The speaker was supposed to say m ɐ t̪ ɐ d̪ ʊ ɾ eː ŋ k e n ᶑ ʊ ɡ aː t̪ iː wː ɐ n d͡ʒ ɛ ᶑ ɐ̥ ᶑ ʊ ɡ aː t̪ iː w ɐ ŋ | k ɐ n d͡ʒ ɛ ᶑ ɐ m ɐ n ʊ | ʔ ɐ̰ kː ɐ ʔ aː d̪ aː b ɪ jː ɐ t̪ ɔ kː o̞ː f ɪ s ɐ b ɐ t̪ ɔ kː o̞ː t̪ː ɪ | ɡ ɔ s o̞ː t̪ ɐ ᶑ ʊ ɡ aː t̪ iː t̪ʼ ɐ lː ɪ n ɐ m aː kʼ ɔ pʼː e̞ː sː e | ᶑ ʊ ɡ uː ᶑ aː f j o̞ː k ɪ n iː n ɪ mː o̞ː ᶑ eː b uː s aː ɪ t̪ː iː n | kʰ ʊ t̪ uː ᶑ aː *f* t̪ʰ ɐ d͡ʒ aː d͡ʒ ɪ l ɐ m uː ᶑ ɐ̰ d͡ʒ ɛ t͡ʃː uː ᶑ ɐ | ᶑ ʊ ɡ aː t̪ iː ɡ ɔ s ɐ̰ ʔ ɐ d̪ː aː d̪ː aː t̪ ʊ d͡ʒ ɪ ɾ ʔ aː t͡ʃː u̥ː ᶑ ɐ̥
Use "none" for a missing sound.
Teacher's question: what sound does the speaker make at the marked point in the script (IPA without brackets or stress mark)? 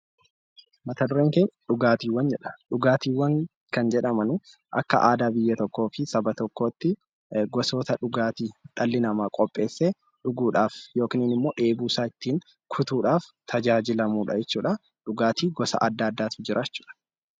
f